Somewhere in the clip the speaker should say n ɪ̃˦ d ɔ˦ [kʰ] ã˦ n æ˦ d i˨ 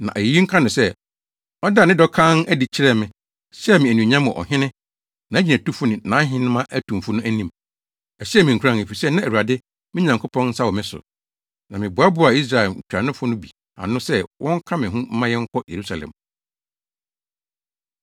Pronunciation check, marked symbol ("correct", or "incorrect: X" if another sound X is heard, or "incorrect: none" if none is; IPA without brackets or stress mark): correct